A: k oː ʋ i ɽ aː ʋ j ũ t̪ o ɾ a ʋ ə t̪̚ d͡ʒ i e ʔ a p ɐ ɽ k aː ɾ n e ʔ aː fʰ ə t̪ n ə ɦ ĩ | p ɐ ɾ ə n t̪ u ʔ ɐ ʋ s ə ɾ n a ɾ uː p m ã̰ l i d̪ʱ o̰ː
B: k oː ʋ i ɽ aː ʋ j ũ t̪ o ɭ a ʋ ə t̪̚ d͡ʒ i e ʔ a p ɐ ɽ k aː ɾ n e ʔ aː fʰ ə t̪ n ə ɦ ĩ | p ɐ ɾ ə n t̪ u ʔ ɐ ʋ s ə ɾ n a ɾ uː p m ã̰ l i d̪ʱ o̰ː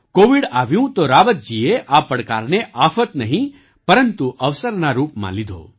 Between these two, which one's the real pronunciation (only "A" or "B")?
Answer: A